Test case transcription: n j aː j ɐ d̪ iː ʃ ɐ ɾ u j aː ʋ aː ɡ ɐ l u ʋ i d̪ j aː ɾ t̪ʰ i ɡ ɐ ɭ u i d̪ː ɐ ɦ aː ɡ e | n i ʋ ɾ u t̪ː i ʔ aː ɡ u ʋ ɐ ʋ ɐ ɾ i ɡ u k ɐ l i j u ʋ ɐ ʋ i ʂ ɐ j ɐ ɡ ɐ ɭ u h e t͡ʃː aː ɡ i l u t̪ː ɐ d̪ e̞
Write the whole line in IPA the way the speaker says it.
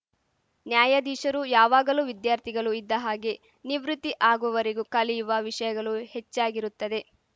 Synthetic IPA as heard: n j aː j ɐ d̪ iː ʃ ɐ ɾ u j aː ʋ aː ɡ ɐ l u ʋ i d̪ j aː ɾ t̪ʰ i ɡ ɐ ɭ u i d̪ː ɐ ɦ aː ɡ e | n i ʋ ɾ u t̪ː i ʔ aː ɡ u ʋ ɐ ʋ ɐ ɾ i ɡ u k ɐ l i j u ʋ ɐ ʋ i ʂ ɐ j ɐ ɡ ɐ ɭ u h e t͡ʃː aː ɡ i ɾ u t̪ː ɐ d̪ e̞